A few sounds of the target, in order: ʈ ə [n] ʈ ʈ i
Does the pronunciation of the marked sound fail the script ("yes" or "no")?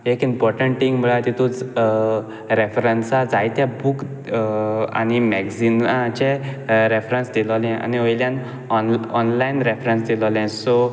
yes